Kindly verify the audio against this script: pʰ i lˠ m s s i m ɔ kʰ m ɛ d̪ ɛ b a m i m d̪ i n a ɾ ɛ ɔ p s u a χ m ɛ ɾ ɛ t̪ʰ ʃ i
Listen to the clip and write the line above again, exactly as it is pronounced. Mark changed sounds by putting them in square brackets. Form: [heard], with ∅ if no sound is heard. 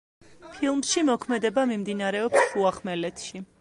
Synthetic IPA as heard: pʰ i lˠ m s [ʃ] i m ɔ kʰ m ɛ d̪ ɛ b a m i m d̪ i n a ɾ ɛ ɔ p s u a χ m ɛ [l] ɛ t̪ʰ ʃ i